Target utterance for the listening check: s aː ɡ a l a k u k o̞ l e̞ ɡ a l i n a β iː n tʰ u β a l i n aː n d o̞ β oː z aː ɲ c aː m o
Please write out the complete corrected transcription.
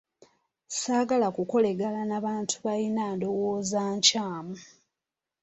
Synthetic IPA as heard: s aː ɡ a l a k u k o̞ l e̞ ɡ a l a n a β aː n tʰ u β a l i n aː n d o̞ w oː z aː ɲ c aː m u